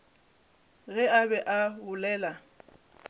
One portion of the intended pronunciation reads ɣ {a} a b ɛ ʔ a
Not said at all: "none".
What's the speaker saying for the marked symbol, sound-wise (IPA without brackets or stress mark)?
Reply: ɛ